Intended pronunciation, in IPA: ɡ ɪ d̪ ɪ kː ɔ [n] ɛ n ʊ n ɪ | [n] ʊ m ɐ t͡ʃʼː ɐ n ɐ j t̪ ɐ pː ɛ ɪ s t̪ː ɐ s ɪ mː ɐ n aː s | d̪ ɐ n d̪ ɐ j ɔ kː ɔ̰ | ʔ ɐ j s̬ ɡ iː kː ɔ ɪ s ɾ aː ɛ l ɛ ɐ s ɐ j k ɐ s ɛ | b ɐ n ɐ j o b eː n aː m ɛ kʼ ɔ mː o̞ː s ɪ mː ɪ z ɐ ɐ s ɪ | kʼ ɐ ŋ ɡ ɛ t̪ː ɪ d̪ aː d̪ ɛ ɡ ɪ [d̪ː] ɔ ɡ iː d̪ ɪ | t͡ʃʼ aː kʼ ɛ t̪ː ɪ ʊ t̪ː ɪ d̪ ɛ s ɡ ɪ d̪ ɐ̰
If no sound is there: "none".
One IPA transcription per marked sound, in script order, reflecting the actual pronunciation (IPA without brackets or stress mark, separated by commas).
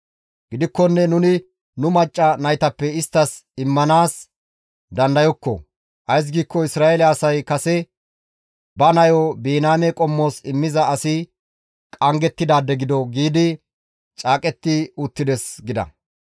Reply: nː, n, d̪